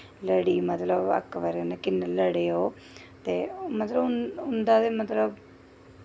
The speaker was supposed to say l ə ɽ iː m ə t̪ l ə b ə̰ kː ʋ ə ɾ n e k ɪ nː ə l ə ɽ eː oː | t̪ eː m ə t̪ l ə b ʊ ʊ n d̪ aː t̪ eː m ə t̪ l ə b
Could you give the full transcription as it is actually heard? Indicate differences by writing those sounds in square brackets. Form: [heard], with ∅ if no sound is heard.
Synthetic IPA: l ə ɽ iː m ə t̪ l ə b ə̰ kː ʋ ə ɾ n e k ɪ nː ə l ə ɽ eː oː | t̪ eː m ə t̪ l ə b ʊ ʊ n d̪ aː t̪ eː m ə t̪ l ə b